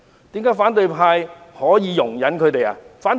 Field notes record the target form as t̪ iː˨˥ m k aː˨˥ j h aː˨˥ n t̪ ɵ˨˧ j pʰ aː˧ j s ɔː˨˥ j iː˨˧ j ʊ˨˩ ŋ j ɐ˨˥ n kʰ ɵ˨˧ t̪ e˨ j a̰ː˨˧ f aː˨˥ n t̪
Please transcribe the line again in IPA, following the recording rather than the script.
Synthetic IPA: t̪ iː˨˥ m k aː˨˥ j f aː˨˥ n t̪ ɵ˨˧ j pʰ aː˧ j h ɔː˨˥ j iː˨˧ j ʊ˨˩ ŋ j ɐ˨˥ n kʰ ɵ˨˧ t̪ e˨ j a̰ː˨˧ f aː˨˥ n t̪